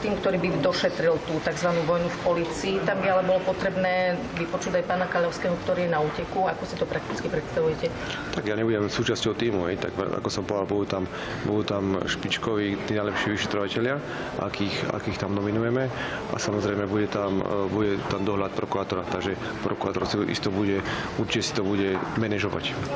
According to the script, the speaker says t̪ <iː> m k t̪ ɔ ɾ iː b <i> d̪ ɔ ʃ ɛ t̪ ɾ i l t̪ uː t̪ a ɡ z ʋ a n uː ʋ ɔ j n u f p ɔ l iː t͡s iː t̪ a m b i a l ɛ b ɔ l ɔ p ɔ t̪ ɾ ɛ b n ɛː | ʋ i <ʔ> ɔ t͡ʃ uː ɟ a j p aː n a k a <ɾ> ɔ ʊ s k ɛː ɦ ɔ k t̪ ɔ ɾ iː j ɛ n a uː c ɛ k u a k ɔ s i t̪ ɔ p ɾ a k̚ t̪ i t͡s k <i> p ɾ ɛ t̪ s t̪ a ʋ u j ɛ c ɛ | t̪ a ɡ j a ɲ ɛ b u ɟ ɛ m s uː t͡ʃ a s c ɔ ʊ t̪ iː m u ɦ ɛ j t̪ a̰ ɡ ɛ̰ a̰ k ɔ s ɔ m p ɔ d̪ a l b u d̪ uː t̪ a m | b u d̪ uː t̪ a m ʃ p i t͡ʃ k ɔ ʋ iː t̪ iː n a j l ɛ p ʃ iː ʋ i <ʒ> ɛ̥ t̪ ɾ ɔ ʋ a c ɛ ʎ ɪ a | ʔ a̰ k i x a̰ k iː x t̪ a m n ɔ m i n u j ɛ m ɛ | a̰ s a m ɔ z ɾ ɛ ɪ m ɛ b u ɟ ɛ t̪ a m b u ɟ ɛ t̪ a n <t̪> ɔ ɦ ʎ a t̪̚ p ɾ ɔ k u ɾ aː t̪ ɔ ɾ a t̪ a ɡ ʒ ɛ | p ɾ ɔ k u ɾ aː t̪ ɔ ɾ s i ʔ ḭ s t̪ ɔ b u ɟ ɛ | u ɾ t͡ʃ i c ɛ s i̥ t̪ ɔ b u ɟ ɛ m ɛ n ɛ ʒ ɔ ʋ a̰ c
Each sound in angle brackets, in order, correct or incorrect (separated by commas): correct, correct, incorrect, incorrect, correct, incorrect, incorrect